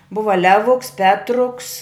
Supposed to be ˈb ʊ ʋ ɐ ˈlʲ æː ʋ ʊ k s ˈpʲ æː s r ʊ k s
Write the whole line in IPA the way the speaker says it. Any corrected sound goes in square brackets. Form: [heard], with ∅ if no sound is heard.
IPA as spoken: ˈb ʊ ʋ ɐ ˈlʲ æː ʋ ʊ k s ˈpʲ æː [t] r ʊ k s